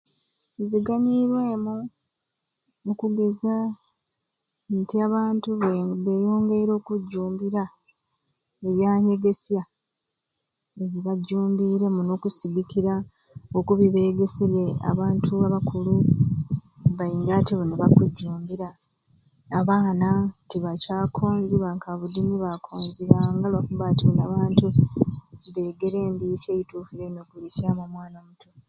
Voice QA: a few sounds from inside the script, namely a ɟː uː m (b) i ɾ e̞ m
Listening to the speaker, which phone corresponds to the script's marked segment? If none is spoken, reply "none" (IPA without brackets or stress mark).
b